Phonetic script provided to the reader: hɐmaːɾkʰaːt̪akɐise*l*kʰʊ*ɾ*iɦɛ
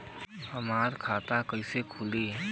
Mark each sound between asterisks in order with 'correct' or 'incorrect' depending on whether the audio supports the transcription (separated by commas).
incorrect, incorrect